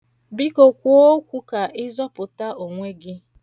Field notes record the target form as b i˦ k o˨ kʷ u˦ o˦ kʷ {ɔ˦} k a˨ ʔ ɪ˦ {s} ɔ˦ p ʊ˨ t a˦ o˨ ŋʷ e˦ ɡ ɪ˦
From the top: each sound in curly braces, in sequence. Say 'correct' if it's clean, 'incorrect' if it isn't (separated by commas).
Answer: incorrect, incorrect